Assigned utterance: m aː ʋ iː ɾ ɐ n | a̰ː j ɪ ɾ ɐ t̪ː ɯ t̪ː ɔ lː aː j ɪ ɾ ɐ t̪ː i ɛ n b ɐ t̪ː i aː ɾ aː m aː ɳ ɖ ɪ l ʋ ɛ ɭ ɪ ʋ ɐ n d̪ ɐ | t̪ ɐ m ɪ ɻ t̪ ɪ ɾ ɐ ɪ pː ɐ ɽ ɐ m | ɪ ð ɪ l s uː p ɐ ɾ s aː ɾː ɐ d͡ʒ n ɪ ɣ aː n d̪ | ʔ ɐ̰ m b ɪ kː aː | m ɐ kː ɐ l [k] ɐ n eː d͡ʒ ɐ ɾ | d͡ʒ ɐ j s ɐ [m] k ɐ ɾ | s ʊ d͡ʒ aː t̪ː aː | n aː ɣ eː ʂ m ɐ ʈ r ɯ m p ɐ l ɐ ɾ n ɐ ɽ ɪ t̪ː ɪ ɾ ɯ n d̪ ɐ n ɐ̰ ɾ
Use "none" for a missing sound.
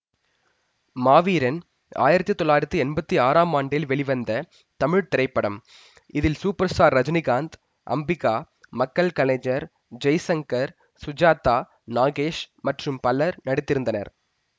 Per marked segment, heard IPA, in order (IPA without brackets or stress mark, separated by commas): k, ŋ